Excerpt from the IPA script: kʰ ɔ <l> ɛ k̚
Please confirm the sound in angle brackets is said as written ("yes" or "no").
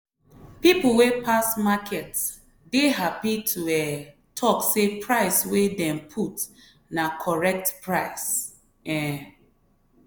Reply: no